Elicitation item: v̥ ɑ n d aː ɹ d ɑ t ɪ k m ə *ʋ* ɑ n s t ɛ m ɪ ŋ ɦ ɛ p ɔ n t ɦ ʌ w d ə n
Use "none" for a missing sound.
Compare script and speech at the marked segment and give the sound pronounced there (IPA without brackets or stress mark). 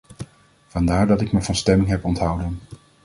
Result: v